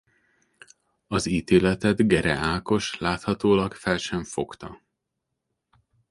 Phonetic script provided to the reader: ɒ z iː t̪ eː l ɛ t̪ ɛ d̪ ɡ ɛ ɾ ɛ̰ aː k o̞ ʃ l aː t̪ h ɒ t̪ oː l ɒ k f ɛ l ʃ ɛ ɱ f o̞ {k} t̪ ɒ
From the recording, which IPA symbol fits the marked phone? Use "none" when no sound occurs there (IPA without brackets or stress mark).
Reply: k